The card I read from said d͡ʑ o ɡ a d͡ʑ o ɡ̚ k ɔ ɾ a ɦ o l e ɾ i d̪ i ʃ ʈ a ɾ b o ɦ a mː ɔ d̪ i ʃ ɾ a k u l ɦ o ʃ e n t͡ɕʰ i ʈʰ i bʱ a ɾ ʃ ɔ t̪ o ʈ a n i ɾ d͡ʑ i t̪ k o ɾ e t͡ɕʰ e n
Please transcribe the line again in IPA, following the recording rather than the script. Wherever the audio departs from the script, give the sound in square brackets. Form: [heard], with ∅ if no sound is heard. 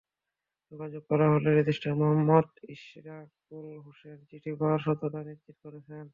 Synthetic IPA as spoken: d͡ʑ o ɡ a d͡ʑ o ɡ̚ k ɔ ɾ a ɦ o l e ɾ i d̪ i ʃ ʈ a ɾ [m] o ɦ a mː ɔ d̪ i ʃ ɾ a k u l ɦ o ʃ e n [t͡ɕ] i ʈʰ i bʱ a ɾ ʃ ɔ t̪ o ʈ a n i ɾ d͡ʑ i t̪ k o ɾ e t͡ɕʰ e n

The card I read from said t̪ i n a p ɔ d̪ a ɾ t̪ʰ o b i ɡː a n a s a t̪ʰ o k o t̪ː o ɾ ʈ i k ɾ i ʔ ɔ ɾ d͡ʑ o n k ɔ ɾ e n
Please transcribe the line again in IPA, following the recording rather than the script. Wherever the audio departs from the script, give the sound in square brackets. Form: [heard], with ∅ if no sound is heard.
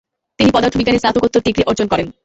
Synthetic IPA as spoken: t̪ i n [i] p ɔ d̪ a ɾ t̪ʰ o b i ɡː a n [e] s a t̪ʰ o k o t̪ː o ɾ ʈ i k ɾ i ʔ ɔ ɾ d͡ʑ o n k ɔ ɾ e n

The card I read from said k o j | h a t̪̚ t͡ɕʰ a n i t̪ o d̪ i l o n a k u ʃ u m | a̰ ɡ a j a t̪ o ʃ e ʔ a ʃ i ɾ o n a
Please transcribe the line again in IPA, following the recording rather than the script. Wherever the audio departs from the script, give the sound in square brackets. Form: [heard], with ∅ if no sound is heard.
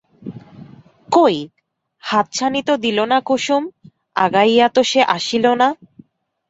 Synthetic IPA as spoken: k o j | h a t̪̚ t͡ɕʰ a n i t̪ o d̪ i l o n a k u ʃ u m | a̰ ɡ a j a t̪ o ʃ e ʔ a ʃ i [l] o n a

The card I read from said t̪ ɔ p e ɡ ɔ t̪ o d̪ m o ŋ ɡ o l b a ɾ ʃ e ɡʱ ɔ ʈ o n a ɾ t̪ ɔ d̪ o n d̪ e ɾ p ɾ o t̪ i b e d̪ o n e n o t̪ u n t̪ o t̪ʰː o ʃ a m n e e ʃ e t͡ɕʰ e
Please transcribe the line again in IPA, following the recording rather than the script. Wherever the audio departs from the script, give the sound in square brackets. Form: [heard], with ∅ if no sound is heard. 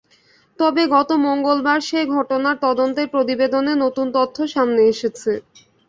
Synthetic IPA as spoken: t̪ ɔ [b] e ɡ ɔ t̪ o [∅] m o ŋ ɡ o l b a ɾ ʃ e ɡʱ ɔ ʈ o n a ɾ t̪ ɔ d̪ o n [t̪] e ɾ p ɾ o t̪ i b e d̪ o n e n o t̪ u n t̪ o t̪ʰː o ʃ a m n e e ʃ e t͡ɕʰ e

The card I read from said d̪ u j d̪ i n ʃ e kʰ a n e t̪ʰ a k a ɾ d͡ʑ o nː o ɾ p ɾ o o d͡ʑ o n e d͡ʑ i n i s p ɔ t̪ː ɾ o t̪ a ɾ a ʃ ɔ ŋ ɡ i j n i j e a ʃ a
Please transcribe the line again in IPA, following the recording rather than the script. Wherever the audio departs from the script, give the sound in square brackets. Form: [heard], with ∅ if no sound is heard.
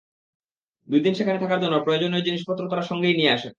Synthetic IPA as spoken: d̪ u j d̪ i n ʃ e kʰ a n e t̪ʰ a k a ɾ d͡ʑ o nː o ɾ p ɾ o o d͡ʑ o n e d͡ʑ i n i [ʃ] p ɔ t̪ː ɾ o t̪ a ɾ a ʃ ɔ ŋ ɡ [e] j n i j e a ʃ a

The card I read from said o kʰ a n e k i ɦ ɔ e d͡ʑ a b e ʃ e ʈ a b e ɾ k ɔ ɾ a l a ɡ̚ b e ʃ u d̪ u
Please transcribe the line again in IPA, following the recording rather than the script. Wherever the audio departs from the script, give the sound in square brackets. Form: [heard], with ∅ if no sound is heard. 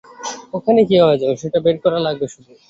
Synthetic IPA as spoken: o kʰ a n e k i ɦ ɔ e d͡ʑ a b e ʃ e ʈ a b e ɾ k ɔ ɾ a l a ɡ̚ b e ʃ u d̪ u

